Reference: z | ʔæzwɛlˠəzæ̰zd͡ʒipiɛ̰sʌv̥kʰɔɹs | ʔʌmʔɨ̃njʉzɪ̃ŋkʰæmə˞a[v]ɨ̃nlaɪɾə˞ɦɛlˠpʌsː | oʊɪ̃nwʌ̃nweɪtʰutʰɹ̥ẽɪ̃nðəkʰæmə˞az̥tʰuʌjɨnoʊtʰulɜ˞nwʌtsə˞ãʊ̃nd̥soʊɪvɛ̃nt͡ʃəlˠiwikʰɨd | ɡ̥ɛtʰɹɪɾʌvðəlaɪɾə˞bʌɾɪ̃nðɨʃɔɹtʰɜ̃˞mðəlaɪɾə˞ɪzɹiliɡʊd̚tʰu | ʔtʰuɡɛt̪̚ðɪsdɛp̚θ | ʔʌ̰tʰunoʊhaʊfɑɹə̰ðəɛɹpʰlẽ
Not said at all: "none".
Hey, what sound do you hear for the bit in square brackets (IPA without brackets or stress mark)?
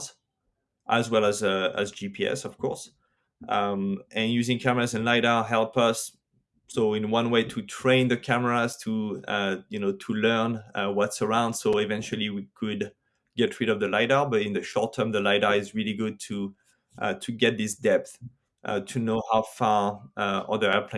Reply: z